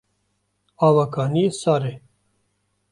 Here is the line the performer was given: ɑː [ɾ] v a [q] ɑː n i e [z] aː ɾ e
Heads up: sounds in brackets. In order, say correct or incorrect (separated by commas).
incorrect, incorrect, incorrect